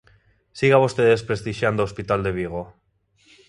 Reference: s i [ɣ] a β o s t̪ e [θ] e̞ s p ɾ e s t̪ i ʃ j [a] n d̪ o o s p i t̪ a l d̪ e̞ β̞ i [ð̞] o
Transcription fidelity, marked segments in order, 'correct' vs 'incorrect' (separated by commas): correct, incorrect, correct, incorrect